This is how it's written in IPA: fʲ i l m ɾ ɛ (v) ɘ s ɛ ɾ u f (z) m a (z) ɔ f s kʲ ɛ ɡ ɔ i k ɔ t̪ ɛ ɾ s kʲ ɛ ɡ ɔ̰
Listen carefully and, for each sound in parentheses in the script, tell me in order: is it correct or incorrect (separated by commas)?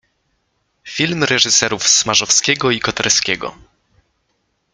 incorrect, incorrect, incorrect